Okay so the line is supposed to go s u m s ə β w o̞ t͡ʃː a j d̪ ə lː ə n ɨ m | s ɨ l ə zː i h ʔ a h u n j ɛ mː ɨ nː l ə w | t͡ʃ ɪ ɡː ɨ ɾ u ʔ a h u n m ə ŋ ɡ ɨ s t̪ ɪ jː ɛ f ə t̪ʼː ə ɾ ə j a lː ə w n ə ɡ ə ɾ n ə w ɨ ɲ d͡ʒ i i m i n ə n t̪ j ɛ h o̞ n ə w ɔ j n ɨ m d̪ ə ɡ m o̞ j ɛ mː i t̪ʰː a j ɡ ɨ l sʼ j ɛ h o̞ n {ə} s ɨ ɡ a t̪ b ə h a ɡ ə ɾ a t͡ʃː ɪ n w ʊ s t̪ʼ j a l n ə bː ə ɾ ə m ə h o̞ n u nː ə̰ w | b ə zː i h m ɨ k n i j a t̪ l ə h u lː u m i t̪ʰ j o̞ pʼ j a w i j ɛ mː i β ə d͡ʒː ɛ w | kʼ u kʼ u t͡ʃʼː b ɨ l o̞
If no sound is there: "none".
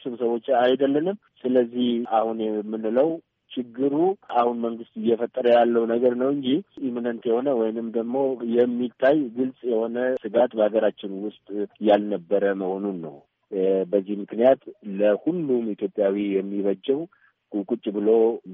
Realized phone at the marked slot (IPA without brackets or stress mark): ə